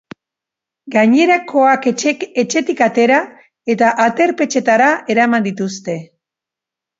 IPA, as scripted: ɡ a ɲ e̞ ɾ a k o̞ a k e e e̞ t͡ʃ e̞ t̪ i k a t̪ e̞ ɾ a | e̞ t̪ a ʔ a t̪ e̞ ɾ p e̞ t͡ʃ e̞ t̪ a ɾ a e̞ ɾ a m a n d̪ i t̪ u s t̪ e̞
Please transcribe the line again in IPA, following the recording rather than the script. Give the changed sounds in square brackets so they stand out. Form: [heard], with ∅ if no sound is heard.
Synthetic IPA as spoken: ɡ a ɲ e̞ ɾ a k o̞ a k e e e̞ t͡ʃ e̞ t̪ i k a t̪ e̞ ɾ a | e̞ t̪ a ʔ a t̪ e̞ ɾ p e̞ t͡ʃ e̞ t̪ a ɾ a e̞ ɾ a m a n d̪ i t̪ u s t̪ e̞